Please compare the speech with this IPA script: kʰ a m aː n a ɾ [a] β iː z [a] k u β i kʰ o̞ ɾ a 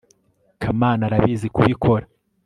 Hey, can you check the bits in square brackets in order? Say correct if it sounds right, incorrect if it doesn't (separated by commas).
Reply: correct, incorrect